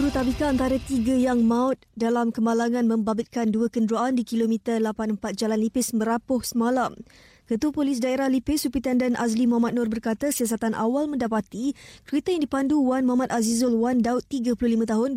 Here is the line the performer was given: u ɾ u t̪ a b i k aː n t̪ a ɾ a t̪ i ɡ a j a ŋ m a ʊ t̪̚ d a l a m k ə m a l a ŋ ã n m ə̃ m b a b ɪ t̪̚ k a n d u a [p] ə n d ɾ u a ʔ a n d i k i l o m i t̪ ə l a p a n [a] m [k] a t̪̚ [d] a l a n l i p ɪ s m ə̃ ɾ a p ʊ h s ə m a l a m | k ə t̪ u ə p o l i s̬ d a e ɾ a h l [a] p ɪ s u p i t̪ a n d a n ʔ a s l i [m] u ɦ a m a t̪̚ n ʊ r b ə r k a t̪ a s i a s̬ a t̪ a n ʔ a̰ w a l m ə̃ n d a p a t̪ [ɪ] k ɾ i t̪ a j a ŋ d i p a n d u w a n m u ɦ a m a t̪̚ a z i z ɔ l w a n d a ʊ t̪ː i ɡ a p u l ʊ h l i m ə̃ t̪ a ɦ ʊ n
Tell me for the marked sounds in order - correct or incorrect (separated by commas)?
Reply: incorrect, incorrect, incorrect, incorrect, incorrect, correct, incorrect